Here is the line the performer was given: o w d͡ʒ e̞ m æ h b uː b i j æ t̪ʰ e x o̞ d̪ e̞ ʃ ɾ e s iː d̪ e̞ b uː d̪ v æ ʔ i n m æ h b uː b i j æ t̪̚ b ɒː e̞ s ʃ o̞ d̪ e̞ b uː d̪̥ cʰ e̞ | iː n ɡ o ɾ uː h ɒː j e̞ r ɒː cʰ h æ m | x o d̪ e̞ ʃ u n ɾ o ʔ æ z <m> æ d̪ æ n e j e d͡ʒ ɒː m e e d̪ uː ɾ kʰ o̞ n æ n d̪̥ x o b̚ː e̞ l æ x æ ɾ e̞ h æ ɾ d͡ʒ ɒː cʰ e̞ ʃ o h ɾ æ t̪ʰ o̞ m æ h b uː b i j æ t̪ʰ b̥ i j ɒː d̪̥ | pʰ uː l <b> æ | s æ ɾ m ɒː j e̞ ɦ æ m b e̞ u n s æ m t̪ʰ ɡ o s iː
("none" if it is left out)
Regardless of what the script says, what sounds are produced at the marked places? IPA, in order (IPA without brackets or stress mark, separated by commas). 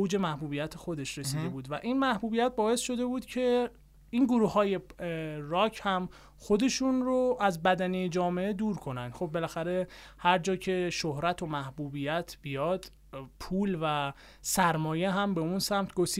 b, v